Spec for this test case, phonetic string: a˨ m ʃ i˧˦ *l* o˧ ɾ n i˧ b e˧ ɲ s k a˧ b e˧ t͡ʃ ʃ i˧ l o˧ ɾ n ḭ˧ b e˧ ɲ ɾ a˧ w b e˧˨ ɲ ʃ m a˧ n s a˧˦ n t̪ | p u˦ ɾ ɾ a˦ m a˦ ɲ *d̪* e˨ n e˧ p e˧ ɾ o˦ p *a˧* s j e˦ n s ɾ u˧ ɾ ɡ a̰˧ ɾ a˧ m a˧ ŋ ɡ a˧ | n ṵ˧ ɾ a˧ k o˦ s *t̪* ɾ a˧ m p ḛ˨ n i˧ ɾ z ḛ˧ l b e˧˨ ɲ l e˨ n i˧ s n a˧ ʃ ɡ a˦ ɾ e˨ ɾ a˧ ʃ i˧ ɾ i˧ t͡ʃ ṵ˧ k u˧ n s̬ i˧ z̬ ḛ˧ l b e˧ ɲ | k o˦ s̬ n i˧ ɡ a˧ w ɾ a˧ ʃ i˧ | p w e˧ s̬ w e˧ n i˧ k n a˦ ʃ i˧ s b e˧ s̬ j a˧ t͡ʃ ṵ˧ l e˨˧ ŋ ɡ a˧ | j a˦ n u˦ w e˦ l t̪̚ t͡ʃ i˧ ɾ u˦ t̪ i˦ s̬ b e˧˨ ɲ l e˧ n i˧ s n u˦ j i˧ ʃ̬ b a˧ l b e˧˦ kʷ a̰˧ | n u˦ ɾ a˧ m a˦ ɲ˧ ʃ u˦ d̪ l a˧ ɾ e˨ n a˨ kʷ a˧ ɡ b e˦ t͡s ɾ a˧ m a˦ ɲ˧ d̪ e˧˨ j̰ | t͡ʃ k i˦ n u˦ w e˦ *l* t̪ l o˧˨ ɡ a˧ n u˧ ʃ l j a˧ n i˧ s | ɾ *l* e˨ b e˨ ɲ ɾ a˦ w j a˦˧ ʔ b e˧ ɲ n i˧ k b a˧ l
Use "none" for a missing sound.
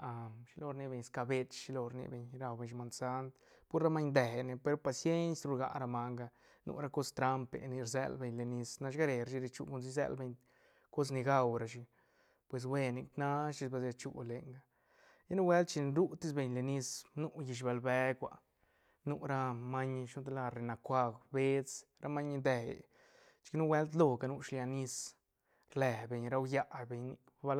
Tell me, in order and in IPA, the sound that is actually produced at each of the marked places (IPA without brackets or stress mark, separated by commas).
l, d̪, a˧, t̪, l, l